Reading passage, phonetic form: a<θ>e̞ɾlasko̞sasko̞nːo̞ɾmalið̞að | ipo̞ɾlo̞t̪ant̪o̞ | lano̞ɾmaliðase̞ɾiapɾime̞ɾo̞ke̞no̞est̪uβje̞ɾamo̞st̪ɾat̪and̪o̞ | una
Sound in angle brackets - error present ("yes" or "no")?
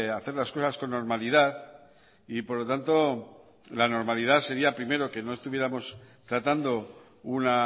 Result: no